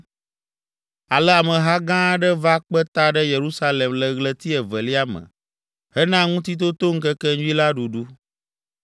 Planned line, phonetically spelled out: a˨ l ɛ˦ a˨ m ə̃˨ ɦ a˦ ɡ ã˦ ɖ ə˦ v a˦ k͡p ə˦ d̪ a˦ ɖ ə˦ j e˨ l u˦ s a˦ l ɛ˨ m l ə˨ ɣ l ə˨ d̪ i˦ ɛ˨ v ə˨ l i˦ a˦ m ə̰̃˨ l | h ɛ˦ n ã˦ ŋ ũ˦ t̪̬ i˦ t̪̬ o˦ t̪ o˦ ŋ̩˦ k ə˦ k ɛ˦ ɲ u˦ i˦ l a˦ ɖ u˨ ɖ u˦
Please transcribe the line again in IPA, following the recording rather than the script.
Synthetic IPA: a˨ l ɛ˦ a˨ m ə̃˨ ɦ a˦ ɡ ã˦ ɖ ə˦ v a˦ k͡p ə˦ t̪ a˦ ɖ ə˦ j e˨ ɾ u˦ s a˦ l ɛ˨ m l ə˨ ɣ l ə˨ t̪ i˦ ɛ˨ v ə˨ l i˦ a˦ m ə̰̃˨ | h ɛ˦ n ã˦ ŋ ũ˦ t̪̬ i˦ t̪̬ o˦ t̪ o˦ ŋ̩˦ k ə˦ k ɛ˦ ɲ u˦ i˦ l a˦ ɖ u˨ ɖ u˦